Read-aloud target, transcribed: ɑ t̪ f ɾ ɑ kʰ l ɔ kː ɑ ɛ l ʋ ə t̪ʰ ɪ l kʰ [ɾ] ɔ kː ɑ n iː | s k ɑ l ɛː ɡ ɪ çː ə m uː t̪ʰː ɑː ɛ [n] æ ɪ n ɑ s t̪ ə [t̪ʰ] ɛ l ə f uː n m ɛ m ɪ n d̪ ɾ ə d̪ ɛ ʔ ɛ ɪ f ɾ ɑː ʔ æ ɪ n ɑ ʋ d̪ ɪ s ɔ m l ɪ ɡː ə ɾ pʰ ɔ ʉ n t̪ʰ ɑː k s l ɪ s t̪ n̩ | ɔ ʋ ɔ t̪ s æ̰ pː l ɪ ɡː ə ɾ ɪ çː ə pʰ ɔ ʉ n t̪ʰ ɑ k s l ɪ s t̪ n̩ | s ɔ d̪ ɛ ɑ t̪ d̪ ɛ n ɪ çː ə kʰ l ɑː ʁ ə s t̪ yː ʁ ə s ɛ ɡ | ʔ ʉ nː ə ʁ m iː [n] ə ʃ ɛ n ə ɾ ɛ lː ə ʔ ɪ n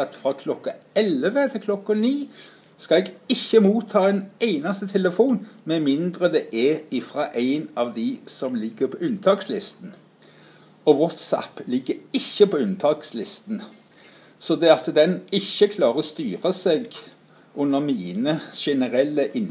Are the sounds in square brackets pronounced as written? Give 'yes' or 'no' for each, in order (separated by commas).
no, yes, yes, yes